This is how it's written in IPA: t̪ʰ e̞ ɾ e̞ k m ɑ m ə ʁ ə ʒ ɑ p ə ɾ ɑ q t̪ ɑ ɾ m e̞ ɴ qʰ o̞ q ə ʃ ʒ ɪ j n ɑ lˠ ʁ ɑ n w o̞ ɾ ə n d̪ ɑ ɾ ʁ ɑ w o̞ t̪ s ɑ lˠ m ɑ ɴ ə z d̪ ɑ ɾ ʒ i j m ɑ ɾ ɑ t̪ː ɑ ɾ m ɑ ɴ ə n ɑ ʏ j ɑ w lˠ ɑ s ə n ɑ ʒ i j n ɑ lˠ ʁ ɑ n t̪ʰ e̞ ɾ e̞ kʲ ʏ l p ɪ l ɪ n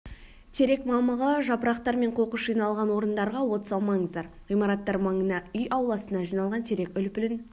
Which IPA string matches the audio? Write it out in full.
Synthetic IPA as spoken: t̪ʰ e̞ ɾ e̞ k m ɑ m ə ʁ ə ʒ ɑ p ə ɾ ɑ q t̪ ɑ ɾ m e̞ ɴ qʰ o̞ q ə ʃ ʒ i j n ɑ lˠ ʁ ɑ n w o̞ ɾ ə n d̪ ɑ ɾ ʁ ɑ w o̞ t̪ s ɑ lˠ m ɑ ɴ ə z d̪ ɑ ɾ ʁ i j m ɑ ɾ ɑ t̪ː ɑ ɾ m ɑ ɴ ə n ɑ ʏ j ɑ w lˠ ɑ s ə n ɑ ʒ i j n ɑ lˠ ʁ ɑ n t̪ʰ e̞ ɾ e̞ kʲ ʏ l p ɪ l ɪ n